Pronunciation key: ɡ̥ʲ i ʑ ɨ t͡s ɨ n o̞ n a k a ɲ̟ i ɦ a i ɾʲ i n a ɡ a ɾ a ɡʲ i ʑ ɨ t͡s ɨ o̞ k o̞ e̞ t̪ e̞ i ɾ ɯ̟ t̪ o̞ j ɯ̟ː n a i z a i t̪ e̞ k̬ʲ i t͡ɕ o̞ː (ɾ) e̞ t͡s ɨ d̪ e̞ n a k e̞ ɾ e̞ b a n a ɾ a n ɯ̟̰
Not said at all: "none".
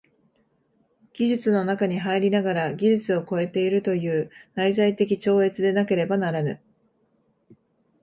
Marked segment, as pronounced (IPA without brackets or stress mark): none